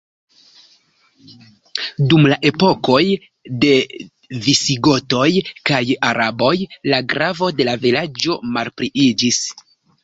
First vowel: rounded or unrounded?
rounded